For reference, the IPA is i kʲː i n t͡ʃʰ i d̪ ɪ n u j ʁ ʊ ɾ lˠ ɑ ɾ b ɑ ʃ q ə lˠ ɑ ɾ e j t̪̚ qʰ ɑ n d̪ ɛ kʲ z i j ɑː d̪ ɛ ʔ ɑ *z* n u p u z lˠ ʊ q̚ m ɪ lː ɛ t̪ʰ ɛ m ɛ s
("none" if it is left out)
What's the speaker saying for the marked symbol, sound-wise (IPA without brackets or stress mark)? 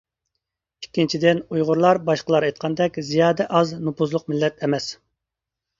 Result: z